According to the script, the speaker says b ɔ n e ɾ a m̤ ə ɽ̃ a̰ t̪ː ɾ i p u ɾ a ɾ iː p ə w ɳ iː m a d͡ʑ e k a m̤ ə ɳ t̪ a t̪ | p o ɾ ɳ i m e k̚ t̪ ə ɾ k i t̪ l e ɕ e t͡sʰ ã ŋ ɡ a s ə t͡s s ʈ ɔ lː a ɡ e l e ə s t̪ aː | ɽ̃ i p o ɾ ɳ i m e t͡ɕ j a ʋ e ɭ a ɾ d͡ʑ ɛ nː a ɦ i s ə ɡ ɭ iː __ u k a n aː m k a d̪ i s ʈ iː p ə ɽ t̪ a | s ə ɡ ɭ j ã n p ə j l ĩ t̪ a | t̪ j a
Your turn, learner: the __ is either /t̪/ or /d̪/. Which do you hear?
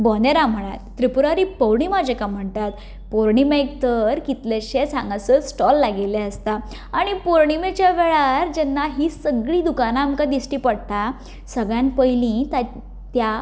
d̪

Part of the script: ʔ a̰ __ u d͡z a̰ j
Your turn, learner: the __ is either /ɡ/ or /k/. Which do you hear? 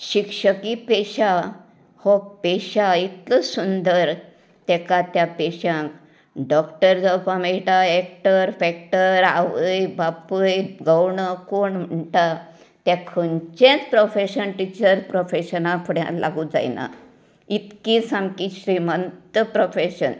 ɡ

